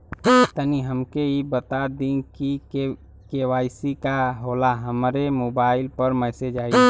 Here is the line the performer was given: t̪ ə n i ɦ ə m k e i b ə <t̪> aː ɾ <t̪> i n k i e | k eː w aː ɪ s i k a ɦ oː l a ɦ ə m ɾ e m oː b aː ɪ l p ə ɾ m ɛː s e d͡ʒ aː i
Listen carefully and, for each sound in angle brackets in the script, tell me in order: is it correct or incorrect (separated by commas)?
correct, incorrect